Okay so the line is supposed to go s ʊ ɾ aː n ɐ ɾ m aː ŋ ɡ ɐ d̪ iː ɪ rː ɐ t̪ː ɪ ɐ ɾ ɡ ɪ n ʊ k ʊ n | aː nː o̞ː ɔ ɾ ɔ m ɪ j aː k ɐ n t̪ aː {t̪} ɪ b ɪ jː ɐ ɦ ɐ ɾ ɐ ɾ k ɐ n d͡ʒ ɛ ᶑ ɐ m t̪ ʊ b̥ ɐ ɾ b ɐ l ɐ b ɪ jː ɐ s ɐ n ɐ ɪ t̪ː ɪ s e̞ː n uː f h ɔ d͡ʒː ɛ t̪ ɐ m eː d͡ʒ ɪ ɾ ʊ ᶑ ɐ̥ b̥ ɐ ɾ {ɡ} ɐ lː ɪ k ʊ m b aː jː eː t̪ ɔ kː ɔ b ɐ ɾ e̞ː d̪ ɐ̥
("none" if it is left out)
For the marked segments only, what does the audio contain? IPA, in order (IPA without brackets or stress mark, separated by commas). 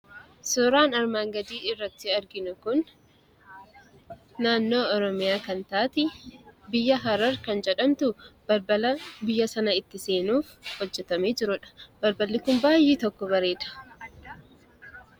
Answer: t̪, b